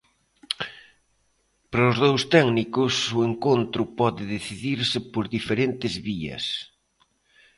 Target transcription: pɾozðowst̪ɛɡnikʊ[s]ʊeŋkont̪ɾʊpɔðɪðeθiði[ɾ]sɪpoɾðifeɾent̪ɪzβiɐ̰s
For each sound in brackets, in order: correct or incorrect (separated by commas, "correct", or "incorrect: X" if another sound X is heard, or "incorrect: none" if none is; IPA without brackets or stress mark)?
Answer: correct, correct